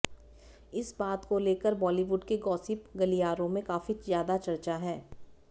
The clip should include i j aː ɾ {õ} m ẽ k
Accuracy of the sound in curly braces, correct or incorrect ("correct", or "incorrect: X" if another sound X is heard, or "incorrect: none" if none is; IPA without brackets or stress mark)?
correct